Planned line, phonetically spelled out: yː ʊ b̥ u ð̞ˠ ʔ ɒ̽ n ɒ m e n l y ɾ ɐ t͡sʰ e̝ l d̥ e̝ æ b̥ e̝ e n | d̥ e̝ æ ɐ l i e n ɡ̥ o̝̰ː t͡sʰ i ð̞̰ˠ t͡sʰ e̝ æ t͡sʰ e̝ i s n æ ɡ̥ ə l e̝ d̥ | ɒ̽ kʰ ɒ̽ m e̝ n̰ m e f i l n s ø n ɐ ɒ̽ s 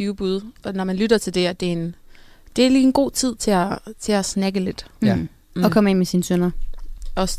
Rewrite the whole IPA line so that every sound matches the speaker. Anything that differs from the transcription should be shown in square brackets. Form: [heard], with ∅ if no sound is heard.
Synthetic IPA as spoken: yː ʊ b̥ u ð̞ˠ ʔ ɒ̽ n ɒ m [æ] n l y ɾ ɐ t͡sʰ e̝ l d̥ e̝ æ [d̥] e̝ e n | d̥ e̝ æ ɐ l [iː] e n ɡ̥ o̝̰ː t͡sʰ i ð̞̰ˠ t͡sʰ e̝ æ t͡sʰ e̝ [æ] s n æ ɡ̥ ə l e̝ d̥ | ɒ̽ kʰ ɒ̽ m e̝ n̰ m e [s] i [∅] n s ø n ɐ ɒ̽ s